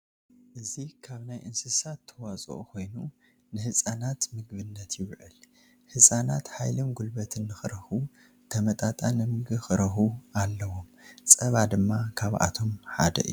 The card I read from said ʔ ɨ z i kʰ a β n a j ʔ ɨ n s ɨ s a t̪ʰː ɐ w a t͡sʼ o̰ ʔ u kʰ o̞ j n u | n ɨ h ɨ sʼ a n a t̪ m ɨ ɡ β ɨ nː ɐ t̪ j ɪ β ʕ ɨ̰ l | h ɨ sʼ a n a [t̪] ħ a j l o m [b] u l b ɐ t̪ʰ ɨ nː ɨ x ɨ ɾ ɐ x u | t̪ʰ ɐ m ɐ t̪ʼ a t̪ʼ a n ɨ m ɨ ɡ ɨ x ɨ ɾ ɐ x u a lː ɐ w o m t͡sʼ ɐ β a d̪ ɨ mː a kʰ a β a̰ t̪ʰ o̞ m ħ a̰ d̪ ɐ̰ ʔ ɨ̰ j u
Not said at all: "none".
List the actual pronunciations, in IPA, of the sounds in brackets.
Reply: t̪, ɡ

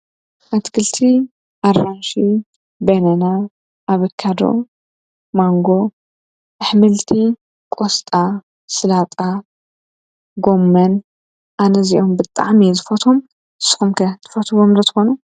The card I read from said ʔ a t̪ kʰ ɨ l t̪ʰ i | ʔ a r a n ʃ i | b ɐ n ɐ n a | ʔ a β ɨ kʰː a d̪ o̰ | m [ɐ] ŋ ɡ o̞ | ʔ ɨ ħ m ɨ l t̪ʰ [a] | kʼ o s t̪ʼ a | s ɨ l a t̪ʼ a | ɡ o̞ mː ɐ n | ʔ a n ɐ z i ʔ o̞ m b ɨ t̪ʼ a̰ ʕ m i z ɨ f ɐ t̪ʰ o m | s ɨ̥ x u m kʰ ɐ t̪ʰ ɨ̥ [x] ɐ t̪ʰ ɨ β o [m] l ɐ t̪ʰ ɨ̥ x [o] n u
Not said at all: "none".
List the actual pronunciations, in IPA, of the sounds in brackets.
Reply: a, i, f, m, o

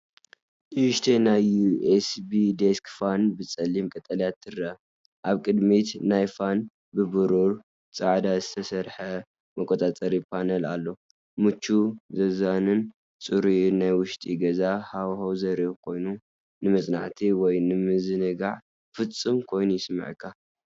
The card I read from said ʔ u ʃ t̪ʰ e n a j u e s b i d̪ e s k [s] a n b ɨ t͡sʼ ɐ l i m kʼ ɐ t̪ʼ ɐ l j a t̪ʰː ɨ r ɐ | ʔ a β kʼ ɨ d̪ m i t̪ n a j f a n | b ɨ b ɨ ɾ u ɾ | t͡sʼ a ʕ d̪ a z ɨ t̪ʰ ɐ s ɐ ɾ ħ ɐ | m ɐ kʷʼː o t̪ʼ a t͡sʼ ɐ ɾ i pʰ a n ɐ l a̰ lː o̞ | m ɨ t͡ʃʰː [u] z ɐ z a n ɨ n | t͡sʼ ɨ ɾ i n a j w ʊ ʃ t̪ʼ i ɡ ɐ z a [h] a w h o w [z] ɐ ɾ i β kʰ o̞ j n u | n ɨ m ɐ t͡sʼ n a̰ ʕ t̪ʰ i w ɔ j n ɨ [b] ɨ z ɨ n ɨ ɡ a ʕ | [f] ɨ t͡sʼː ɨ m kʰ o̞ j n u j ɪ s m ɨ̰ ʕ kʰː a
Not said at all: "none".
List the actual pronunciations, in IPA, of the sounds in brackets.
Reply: f, u, h, z, m, f

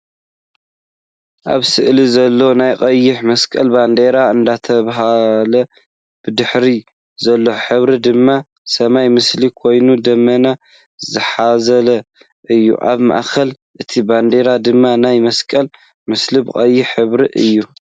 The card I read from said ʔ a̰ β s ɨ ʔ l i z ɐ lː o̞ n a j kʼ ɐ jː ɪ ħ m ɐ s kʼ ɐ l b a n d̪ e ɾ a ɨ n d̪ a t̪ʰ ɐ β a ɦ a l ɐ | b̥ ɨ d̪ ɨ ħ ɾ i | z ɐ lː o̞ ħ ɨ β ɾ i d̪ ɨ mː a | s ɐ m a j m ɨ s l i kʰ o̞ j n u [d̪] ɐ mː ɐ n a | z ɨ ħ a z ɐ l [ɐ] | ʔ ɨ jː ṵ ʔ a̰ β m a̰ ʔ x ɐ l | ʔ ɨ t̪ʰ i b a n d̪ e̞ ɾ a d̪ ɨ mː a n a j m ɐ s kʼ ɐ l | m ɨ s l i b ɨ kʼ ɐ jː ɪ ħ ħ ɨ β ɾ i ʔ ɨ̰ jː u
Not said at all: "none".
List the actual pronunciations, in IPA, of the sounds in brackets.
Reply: d̪, ɐ

